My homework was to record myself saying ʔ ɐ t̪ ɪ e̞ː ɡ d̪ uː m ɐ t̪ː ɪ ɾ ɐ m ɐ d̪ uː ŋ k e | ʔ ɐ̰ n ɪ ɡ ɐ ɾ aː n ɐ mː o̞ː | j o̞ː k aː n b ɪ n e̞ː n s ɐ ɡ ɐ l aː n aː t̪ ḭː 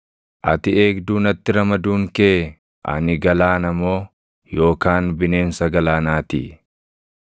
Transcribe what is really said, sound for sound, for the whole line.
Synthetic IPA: ʔ ɐ t̪ ɪ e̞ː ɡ d̪ uː n ɐ t̪ː ɪ ɾ ɐ m ɐ d̪ uː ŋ k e | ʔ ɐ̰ n ɪ ɡ ɐ l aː n ɐ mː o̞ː | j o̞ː k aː n b ɪ n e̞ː n s ɐ ɡ ɐ l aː n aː t̪ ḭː